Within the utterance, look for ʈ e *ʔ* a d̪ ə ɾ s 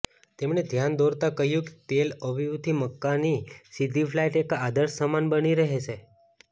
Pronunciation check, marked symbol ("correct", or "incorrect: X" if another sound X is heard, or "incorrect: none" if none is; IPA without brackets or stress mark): incorrect: k